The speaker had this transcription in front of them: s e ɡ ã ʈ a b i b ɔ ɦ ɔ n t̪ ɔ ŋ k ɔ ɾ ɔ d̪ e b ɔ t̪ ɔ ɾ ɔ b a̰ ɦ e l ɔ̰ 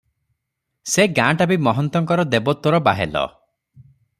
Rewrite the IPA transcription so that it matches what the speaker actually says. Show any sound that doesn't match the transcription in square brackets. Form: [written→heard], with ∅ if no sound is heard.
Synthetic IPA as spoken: s e ɡ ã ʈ a b i [b→m] ɔ ɦ ɔ n t̪ ɔ ŋ k ɔ ɾ ɔ d̪ e b ɔ t̪ ɔ ɾ ɔ b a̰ ɦ e l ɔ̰